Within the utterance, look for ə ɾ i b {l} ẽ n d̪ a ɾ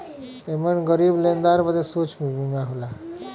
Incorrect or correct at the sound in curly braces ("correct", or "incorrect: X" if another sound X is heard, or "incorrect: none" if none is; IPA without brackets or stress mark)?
correct